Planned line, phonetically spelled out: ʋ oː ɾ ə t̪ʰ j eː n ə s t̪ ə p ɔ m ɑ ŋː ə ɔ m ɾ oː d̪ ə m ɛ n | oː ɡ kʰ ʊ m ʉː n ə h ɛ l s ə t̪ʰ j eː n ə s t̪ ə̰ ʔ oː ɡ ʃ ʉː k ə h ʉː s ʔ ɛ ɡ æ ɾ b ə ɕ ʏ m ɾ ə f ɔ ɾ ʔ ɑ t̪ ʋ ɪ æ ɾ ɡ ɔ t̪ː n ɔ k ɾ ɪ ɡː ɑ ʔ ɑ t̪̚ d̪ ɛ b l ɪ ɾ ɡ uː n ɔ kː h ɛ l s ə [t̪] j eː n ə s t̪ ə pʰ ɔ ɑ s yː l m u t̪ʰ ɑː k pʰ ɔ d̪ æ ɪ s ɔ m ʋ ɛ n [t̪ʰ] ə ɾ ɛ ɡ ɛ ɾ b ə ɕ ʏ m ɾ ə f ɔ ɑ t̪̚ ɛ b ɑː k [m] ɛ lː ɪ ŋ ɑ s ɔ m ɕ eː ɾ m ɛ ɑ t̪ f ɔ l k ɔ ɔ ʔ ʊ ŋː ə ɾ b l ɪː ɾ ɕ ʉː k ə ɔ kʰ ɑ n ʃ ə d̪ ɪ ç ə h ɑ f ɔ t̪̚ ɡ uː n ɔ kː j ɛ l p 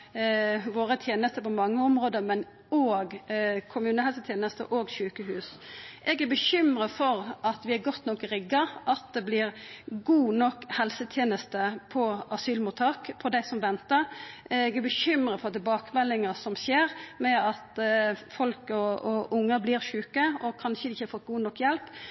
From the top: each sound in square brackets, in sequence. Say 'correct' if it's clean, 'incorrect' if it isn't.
incorrect, incorrect, correct

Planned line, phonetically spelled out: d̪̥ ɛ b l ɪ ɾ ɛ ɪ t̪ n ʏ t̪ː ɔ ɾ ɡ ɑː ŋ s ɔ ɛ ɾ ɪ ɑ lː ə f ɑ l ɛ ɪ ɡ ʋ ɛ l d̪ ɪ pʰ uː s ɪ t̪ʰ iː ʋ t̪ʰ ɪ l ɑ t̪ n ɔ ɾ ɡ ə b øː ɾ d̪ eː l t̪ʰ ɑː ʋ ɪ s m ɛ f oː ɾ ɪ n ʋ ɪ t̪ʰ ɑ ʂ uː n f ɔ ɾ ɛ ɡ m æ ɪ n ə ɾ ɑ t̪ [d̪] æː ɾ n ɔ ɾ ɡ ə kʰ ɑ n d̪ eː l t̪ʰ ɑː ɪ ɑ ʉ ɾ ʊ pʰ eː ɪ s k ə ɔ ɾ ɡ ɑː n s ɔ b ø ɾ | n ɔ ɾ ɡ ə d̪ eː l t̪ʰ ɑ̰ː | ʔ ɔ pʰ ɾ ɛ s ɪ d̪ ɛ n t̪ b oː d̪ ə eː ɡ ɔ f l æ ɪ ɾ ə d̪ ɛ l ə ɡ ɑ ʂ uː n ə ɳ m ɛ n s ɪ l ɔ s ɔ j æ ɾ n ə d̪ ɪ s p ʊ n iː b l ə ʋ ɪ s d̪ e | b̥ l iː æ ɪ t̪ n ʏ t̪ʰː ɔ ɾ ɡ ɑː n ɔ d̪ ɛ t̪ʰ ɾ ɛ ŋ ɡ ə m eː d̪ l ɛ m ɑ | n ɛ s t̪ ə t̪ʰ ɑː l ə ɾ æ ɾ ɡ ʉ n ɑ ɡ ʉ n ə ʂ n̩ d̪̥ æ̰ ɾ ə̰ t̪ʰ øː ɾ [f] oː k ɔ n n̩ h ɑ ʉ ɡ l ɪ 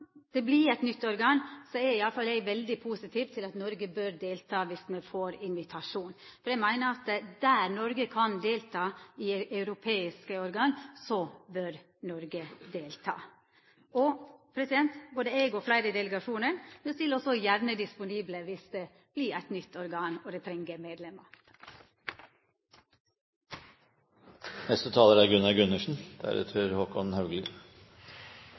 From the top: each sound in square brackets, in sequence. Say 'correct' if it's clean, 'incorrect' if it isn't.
correct, incorrect

